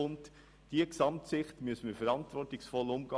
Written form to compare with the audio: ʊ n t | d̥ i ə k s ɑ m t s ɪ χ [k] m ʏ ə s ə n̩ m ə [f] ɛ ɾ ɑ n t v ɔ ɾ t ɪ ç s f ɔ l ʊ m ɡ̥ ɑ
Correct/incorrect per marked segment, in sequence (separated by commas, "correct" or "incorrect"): incorrect, correct